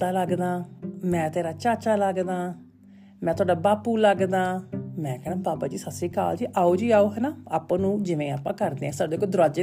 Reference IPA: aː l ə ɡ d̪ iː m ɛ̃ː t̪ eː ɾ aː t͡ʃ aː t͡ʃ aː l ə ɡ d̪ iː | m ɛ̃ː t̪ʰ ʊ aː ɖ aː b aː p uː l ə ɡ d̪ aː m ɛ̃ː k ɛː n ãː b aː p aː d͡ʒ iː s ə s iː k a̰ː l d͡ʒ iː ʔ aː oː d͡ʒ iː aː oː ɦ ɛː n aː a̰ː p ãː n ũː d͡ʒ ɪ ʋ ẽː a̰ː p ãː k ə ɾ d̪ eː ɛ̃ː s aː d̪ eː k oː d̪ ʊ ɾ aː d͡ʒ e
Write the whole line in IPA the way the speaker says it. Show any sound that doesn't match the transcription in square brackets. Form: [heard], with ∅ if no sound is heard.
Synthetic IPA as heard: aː l ə ɡ d̪ [aː] m ɛ̃ː t̪ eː ɾ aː t͡ʃ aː t͡ʃ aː l ə ɡ d̪ [aː] | m ɛ̃ː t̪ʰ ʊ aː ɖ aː b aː p uː l ə ɡ d̪ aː m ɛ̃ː k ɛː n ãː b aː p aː d͡ʒ iː s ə s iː k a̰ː l d͡ʒ iː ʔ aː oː d͡ʒ iː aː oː ɦ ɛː n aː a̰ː p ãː n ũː d͡ʒ ɪ ʋ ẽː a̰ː p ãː k ə ɾ d̪ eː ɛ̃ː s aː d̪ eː k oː d̪ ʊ ɾ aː d͡ʒ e